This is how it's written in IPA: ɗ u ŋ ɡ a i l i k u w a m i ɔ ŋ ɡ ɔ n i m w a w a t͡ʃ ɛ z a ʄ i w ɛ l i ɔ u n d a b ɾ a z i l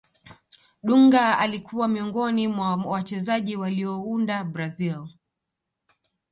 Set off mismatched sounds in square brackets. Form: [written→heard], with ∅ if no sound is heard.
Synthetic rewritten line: ɗ u ŋ ɡ a [i→a] l i k u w a m i ɔ ŋ ɡ ɔ n i m w a w a t͡ʃ ɛ z a ʄ i w [ɛ→a] l i ɔ u n d a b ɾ a z i l